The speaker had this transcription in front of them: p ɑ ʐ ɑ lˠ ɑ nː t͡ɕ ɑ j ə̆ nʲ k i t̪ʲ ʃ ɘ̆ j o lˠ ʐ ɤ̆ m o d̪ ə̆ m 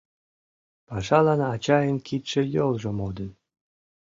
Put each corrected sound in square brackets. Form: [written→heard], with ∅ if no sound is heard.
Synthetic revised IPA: p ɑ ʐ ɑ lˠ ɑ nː t͡ɕ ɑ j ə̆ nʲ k i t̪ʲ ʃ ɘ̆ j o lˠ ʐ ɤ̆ m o d̪ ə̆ [m→n]